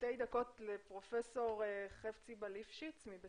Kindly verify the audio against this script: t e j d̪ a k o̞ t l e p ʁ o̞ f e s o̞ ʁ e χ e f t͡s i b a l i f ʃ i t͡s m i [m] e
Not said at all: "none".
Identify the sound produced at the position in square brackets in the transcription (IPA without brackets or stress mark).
b